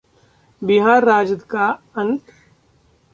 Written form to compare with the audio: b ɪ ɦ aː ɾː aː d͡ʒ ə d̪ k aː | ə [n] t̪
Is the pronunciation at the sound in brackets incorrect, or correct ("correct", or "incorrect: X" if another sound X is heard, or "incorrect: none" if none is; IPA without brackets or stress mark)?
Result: correct